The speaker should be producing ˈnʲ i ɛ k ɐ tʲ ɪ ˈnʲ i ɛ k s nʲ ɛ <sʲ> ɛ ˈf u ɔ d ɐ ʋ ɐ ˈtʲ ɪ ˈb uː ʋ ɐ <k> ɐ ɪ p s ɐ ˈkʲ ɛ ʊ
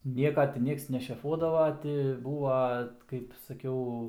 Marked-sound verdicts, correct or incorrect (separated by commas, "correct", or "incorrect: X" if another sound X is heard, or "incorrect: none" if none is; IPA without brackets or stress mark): incorrect: ʃʲ, correct